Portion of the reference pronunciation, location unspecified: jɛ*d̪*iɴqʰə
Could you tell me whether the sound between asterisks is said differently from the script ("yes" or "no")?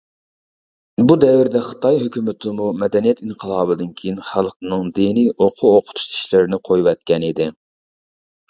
yes